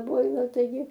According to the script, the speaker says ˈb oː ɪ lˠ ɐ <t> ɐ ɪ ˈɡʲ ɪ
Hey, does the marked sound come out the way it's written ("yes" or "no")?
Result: yes